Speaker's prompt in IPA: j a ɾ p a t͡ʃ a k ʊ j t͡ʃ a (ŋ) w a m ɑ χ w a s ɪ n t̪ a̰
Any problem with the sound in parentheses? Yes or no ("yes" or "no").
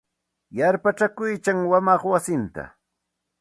no